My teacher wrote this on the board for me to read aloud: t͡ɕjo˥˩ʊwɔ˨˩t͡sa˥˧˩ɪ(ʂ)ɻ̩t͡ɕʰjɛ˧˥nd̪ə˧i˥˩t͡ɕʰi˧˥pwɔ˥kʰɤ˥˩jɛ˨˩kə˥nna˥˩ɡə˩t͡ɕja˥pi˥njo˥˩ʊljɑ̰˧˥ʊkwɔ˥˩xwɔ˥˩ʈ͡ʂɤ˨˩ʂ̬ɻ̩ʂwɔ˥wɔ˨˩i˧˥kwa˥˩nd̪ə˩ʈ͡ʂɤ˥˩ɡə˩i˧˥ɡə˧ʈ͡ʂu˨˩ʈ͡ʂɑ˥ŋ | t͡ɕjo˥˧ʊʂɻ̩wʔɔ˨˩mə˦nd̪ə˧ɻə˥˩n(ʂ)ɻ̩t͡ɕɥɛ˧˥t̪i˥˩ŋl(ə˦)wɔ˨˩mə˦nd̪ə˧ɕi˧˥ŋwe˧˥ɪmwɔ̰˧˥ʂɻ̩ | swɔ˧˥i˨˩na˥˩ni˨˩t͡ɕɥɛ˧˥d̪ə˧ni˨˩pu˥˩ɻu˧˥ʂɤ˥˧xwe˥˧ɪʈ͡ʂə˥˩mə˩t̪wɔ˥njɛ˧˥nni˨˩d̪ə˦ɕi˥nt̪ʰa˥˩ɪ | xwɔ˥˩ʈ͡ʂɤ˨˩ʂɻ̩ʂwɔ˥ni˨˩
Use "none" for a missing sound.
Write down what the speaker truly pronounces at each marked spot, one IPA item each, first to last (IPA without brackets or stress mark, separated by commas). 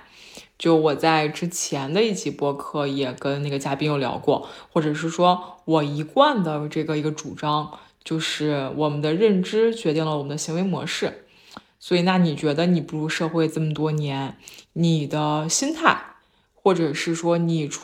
ʈ͡ʂ, ʈ͡ʂ, ə˩